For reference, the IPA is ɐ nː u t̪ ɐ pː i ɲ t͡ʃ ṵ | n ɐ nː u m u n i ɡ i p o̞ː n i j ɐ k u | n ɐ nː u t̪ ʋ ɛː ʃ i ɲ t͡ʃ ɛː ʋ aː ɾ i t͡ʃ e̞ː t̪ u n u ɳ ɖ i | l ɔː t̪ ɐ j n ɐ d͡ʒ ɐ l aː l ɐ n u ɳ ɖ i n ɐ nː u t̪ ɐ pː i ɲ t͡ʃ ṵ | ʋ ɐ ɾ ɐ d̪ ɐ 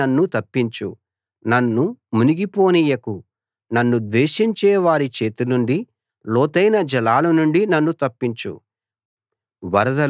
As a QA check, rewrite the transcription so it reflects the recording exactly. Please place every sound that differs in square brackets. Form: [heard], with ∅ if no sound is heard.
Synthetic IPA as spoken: ɐ nː u t̪ ɐ pː i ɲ t͡ʃ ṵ | n ɐ nː u m u n i ɡ i p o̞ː n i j ɐ k u | n ɐ nː u [d̪] ʋ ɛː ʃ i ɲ t͡ʃ ɛː ʋ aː ɾ i t͡ʃ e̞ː t̪ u n u ɳ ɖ i | l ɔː t̪ ɐ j n ɐ d͡ʒ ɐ l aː l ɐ n u ɳ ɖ i n ɐ nː u t̪ ɐ pː i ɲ t͡ʃ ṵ | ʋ ɐ ɾ ɐ d̪ ɐ